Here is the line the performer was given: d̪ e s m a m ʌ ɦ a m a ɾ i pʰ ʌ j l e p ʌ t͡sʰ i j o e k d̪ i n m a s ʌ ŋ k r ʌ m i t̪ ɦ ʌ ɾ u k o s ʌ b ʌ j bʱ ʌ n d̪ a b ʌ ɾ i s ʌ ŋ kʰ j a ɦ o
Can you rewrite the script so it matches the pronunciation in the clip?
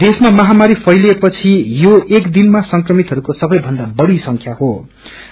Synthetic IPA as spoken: d̪ e s m a m ʌ ɦ a m a ɾ i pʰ ʌ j l e p ʌ t͡sʰ i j o e k d̪ i n m a s ʌ ŋ k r ʌ m i t̪ ɦ ʌ ɾ u k o s ʌ b ʌ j bʱ ʌ n d̪ a b ʌ ɽ i s ʌ ŋ kʰ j a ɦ o

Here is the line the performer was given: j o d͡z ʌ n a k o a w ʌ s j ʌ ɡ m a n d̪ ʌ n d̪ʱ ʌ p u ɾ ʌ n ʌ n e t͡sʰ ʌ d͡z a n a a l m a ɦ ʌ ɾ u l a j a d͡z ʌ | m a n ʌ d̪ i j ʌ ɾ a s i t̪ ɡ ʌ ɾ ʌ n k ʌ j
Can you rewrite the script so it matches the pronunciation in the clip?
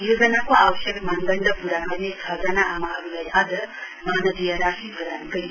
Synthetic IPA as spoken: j o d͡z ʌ n a k o a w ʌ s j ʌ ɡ m a n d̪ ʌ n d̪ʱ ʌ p u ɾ a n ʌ n e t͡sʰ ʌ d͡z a n a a m a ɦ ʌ ɾ u l a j a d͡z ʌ | m a n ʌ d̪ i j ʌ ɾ a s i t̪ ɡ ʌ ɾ a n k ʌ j

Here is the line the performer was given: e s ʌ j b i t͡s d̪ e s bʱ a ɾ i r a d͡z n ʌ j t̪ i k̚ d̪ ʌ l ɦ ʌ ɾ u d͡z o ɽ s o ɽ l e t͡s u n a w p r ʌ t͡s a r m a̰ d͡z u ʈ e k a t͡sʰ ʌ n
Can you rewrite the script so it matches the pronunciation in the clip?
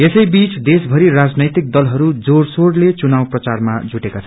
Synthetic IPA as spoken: e s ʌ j b i t͡s d̪ e s bʱ ʌ ɾ i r a d͡z n ʌ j t̪ i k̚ d̪ ʌ l ɦ ʌ ɾ u d͡z o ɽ s o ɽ l e t͡s u n a w p r ʌ t͡s a r m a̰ d͡z u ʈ e k a t͡sʰ ʌ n

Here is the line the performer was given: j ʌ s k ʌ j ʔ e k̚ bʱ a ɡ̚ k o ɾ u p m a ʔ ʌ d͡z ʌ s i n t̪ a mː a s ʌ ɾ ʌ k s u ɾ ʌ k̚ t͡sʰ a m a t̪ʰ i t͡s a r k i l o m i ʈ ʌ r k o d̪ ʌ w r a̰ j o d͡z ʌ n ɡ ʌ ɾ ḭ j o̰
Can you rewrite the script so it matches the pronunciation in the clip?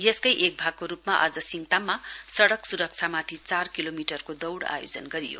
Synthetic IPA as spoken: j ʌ s k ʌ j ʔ e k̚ bʱ a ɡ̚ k o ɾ u p m a ʔ ʌ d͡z ʌ s i ŋ t̪ a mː a s ʌ ɽ ʌ k s u ɾ ʌ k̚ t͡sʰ a m a t̪ʰ i t͡s a r k i l o m i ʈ ʌ r k o d̪ ʌ w ɽ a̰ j o d͡z ʌ n ɡ ʌ ɾ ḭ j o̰

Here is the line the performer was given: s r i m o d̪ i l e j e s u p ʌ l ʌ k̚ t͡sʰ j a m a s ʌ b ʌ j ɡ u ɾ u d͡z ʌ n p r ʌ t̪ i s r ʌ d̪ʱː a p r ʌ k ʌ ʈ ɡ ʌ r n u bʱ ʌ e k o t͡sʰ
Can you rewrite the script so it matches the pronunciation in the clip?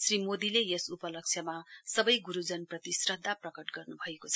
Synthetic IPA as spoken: s r i m o d̪ i l e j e s u p ʌ l ʌ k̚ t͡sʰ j ʌ m a s ʌ b ʌ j ɡ u ɾ u d͡z ʌ n p r ʌ t̪ i s r ʌ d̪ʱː a p r ʌ k ʌ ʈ ɡ ʌ r n u bʱ ʌ e k o t͡sʰ

